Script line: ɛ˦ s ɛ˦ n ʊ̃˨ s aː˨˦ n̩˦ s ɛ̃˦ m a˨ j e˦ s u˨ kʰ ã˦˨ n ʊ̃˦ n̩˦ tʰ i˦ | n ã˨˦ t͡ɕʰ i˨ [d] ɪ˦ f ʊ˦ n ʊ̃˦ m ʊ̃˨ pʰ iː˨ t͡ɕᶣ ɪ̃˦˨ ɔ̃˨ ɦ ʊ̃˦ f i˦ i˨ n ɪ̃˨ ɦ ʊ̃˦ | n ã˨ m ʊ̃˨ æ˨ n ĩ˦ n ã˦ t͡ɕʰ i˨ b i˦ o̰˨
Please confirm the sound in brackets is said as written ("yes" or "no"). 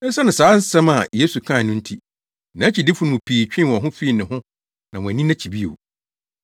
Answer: yes